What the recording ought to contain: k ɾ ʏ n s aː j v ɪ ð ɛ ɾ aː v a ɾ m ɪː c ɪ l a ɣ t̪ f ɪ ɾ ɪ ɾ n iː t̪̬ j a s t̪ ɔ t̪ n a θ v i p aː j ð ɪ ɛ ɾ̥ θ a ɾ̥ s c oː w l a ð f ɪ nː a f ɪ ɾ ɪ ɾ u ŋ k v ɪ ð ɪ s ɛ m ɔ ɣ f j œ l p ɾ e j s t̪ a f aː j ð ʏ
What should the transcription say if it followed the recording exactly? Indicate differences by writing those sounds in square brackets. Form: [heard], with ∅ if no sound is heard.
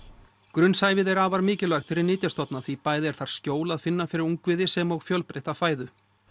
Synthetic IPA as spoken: k ɾ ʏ n s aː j v ɪ ð ɛ ɾ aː v a ɾ m ɪː c ɪ l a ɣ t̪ f ɪ ɾ ɪ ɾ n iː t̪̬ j a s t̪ ɔ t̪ n a θ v i p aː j ð ɪ ɛ ɾ̥ θ a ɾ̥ s c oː w l a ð f ɪ nː a f ɪ ɾ ɪ ɾ u ŋ k v ɪ ð ɪ s ɛ m ɔ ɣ f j œ l p ɾ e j [h] t̪ a f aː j ð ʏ